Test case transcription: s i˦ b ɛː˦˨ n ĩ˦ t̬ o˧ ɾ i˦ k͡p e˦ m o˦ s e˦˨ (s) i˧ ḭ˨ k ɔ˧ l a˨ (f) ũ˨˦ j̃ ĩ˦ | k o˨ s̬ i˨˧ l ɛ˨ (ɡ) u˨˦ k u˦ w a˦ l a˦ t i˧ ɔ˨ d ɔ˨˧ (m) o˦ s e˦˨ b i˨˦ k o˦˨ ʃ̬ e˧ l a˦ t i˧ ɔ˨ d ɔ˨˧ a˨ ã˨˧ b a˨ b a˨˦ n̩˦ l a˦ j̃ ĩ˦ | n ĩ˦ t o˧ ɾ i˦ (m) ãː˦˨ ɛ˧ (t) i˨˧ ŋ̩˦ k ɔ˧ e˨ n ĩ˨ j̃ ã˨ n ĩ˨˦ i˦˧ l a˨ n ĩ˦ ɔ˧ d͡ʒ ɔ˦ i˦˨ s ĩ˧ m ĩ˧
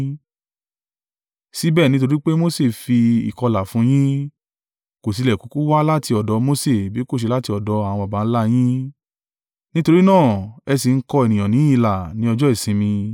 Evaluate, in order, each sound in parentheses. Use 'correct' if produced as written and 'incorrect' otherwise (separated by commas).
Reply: incorrect, correct, incorrect, correct, incorrect, incorrect